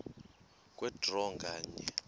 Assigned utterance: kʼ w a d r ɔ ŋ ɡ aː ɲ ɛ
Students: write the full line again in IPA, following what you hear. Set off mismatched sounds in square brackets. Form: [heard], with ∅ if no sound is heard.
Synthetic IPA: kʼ w [ɛ] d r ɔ ŋ ɡ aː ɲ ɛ

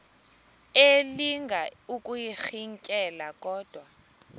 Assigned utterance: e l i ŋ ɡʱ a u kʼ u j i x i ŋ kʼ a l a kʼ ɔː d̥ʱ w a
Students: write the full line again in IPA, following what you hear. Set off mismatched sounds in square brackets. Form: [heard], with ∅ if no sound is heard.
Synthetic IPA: e l i ŋ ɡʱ a u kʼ u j i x i ŋ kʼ [ɛ] l a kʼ ɔː d̥ʱ w a

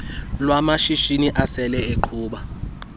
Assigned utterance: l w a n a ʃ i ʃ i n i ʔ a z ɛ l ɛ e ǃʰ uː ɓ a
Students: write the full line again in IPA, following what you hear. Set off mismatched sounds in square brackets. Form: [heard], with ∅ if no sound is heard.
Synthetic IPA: l w a [m] a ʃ i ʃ i n i ʔ a [s] ɛ l ɛ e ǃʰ uː ɓ a

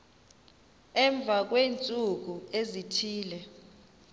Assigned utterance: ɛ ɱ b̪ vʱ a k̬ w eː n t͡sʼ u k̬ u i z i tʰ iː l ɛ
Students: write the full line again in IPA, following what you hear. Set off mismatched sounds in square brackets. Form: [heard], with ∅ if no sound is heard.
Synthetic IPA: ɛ ɱ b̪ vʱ a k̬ w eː n t͡sʼ u k̬ u [e] z i tʰ iː l ɛ

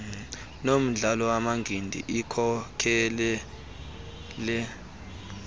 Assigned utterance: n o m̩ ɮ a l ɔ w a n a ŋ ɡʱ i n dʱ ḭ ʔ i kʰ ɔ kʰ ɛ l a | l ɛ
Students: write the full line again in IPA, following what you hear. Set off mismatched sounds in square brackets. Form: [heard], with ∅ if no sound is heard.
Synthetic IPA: n o m̩ ɮ a l ɔ w a [m] a ŋ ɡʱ i n dʱ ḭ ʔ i kʰ ɔ kʰ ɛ l [ɛ] | l ɛ

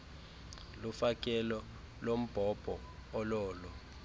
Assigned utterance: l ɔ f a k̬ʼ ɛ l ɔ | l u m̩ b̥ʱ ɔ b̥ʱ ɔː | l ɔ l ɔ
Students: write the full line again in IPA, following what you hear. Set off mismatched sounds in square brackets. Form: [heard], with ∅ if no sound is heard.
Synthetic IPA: l [u] f a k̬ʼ ɛ l ɔ | l [o] m̩ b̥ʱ ɔ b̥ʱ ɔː | l [ɔː] l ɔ

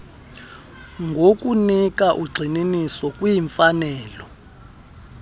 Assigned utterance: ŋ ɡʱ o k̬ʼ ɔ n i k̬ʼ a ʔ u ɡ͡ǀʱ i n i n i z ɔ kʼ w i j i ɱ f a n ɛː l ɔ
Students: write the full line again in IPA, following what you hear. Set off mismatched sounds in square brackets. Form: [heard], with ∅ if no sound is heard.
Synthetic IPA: ŋ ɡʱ o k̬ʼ [u] n i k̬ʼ a ʔ u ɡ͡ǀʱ i n i n i [s] ɔ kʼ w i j i ɱ f a n ɛː l ɔ

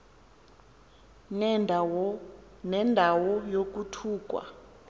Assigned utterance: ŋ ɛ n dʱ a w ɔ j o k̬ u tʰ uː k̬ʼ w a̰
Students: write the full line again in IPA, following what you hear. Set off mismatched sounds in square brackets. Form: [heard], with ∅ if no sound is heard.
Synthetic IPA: [n] ɛ n dʱ a w ɔ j o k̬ u tʰ uː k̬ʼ w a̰

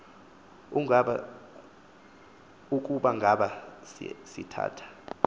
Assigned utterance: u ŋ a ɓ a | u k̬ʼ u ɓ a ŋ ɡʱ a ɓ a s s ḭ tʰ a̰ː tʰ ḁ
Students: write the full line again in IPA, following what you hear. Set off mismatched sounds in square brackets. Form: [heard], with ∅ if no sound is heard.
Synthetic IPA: u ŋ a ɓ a | u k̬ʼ u ɓ a ŋ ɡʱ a ɓ a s s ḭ tʰ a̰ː tʰ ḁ

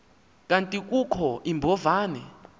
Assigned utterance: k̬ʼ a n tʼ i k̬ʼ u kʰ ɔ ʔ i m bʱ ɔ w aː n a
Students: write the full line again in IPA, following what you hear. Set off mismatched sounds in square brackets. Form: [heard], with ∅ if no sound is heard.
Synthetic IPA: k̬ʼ a n tʼ i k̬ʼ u kʰ ɔ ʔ i m bʱ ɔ [v] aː n [ɛ]

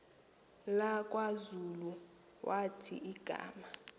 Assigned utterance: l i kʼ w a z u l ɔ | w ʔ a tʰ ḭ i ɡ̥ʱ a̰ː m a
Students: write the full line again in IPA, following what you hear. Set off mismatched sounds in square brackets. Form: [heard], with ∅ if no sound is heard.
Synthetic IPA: l [a] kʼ w a z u l [u] | w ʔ a tʰ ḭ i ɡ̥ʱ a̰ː m a

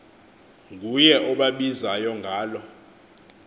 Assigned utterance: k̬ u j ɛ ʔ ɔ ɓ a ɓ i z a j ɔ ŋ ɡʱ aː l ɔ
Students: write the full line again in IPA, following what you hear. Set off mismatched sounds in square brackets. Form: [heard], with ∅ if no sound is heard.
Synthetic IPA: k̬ u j ɛ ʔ ɔ ɓ a ɓ i z a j ɔ ŋ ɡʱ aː l ɔ

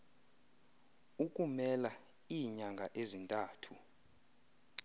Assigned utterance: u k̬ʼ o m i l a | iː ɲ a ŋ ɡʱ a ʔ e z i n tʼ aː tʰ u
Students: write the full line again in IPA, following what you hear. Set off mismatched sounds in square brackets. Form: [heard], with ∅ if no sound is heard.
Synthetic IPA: u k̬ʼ [u] m [ɛ] l a | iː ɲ a ŋ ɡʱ a ʔ e z i n tʼ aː tʰ u

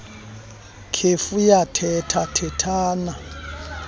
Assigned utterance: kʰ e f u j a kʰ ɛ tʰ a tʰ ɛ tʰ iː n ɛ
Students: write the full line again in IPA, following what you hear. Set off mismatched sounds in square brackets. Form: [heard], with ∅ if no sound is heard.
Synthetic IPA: kʰ e f u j a [tʰ] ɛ tʰ a tʰ ɛ tʰ [aː] n [a]

